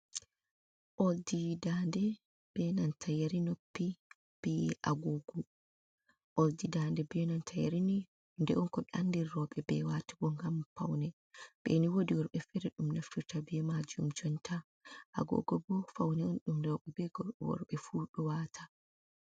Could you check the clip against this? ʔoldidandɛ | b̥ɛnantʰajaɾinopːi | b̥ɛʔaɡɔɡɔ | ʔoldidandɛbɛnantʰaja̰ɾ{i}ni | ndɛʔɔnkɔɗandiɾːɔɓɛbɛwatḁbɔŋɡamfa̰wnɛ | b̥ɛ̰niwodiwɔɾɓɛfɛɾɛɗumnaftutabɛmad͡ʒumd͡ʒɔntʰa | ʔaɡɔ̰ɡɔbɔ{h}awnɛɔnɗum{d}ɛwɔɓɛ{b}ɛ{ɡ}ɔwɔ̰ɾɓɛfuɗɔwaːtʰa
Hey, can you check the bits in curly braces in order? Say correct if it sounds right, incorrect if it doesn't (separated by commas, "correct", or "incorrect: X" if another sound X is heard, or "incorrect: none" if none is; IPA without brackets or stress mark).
correct, incorrect: f, correct, correct, correct